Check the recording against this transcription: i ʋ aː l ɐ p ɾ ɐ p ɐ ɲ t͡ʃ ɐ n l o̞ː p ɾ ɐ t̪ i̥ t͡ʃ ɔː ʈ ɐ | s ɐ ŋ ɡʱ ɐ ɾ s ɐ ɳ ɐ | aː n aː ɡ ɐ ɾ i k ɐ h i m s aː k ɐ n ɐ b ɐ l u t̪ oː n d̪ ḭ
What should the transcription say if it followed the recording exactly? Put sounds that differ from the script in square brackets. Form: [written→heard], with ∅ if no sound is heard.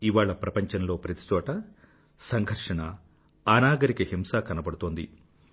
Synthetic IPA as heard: i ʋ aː [l→ɭ] ɐ p ɾ ɐ p ɐ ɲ t͡ʃ ɐ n l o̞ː p ɾ ɐ t̪ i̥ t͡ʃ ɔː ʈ ɐ | s ɐ ŋ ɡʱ ɐ ɾ [s→ʂ] ɐ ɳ ɐ | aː n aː ɡ ɐ ɾ i k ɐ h i m s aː k ɐ n ɐ b ɐ [l→ɽ] u t̪ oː n d̪ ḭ

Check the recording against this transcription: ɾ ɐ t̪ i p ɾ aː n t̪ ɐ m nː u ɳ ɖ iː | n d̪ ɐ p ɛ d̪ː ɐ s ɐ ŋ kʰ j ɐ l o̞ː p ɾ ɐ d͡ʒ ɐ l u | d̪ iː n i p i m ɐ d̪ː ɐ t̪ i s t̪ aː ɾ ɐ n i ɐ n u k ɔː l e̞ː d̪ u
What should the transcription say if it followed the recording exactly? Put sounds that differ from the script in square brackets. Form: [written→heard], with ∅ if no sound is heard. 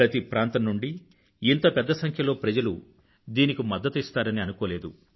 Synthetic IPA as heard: ɾ ɐ t̪ i p ɾ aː n t̪ ɐ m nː u ɳ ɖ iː | n [d̪→t̪] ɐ p ɛ d̪ː ɐ s ɐ ŋ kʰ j ɐ l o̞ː p ɾ ɐ d͡ʒ ɐ l u | d̪ iː n i [p→k] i m ɐ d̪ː ɐ t̪ i s t̪ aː ɾ ɐ n i ɐ n u k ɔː l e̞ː d̪ u

